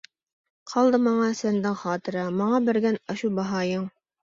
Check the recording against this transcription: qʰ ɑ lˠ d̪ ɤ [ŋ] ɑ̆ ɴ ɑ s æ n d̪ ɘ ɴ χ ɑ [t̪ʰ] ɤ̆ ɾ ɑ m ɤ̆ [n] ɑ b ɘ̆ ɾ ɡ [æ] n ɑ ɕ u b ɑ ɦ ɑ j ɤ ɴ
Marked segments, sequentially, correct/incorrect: incorrect: m, incorrect: t̪, incorrect: ɴ, correct

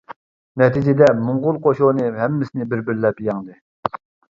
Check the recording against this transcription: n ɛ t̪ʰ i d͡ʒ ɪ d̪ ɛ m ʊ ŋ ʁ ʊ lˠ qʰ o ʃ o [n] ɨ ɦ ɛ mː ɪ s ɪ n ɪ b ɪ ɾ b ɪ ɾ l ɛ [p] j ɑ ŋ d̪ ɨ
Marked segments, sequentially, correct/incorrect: correct, correct

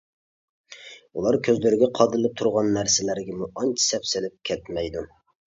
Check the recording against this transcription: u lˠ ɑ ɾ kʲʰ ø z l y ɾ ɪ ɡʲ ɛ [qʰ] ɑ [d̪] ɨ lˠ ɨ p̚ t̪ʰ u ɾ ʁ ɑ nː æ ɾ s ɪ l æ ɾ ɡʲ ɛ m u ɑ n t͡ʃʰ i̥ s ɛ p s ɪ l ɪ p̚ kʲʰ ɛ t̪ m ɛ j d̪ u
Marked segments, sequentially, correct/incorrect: correct, correct

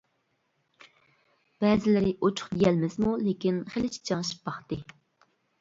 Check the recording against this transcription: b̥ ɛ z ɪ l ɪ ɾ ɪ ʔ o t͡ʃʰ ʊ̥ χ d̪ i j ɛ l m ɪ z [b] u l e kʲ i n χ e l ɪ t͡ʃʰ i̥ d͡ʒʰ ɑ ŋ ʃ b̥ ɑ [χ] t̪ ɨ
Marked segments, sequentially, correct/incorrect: incorrect: m, correct

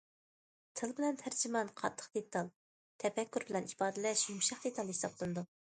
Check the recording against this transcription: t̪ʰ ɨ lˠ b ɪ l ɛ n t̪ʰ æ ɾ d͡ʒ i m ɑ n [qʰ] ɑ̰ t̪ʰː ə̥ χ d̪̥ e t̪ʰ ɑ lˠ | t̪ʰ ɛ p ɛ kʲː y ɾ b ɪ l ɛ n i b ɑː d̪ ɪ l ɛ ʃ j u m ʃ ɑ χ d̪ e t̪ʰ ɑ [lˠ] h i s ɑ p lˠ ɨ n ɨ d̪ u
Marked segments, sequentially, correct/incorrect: correct, correct

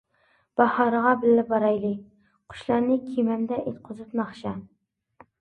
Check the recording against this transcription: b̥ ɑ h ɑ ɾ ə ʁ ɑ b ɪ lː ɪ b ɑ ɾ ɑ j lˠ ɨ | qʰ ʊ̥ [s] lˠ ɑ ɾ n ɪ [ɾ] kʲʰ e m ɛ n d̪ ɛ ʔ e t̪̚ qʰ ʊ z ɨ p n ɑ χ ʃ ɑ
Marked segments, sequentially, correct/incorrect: incorrect: ʃ, incorrect: none

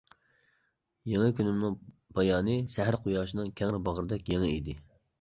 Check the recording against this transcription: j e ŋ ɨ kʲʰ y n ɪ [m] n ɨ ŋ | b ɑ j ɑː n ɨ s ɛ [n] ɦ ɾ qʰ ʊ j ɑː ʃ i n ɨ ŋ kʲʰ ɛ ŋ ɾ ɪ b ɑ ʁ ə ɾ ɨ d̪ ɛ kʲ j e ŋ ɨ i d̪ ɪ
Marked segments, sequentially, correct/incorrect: correct, incorrect: none

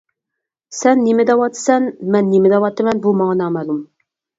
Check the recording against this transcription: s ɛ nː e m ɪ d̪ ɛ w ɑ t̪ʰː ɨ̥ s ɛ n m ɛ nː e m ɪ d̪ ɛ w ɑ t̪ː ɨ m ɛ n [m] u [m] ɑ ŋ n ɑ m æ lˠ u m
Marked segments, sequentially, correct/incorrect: incorrect: b, correct

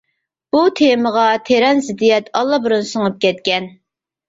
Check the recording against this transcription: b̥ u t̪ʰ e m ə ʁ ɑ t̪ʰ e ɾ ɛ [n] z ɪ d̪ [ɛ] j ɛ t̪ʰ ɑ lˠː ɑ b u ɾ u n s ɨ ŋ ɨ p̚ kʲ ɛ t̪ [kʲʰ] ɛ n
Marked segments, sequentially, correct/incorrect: correct, incorrect: i, incorrect: kʲ

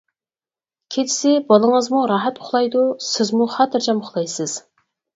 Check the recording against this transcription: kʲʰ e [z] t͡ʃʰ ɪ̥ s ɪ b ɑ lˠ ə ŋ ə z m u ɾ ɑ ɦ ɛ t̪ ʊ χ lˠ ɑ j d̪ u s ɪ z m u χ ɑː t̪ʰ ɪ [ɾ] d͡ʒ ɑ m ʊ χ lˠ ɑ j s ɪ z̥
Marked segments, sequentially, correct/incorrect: incorrect: none, correct

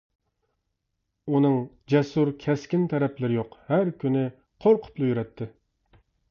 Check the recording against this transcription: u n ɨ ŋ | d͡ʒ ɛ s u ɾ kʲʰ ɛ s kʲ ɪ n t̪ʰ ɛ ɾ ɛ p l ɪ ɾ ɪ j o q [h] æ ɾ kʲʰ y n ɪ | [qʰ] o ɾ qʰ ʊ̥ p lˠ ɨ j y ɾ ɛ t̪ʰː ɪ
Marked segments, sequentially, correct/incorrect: correct, correct

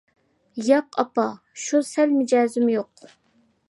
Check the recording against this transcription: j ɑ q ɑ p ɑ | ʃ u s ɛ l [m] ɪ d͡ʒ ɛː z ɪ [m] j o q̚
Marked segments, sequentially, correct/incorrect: correct, correct

